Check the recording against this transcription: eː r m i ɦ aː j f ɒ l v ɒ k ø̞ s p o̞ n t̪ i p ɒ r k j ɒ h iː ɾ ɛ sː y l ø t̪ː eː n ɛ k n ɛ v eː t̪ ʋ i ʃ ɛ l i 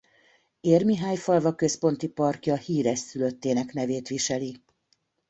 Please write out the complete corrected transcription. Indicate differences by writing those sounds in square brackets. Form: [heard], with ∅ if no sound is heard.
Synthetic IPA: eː r m i ɦ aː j f ɒ l v ɒ k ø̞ s p o̞ n t̪ i p ɒ r k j ɒ h iː ɾ ɛ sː y l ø t̪ː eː n ɛ k n ɛ v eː t̪ ʋ i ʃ ɛ l i

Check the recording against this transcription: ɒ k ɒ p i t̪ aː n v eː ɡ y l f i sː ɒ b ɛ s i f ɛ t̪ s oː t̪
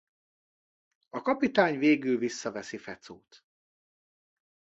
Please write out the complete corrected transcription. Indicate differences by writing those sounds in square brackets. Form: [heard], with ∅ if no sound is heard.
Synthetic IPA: ɒ k ɒ p i t̪ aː [ɲ] v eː ɡ y l [v] i sː ɒ [v] ɛ s i f ɛ t̪ s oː t̪

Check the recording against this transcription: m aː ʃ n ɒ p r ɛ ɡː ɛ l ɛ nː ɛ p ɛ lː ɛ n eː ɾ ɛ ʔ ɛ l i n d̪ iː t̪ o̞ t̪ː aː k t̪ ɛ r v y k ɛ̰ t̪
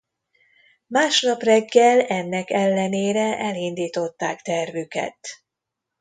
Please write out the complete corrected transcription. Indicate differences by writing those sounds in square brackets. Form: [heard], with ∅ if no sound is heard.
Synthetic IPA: m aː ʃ n ɒ p r ɛ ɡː ɛ l ɛ nː ɛ [k] ɛ lː ɛ n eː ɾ ɛ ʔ ɛ l i n d̪ iː t̪ o̞ t̪ː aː k t̪ ɛ r v y k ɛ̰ t̪

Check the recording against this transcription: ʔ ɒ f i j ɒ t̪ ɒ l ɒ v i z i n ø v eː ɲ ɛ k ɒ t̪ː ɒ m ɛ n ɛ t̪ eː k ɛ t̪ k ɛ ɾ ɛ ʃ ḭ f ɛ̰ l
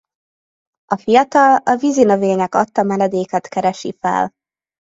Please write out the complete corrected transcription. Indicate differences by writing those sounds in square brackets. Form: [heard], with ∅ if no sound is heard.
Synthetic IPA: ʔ ɒ f i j ɒ t̪ ɒ l ɒ v i z i n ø v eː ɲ ɛ k ɒ t̪ː ɒ m ɛ n ɛ [d̪] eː k ɛ t̪ k ɛ ɾ ɛ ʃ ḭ f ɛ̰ l

